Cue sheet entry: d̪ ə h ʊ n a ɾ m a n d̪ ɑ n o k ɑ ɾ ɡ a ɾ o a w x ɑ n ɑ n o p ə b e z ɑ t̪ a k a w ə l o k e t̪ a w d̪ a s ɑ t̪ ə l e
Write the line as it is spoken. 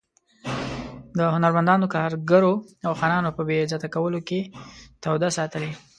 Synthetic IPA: d̪ ə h ʊ n a ɾ m a n d̪ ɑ n o k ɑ ɾ ɡ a ɾ o a w x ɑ n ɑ n o p ə b e z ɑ t̪ a k a w ə l o k e t̪ a w d̪ a s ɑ t̪ ə l e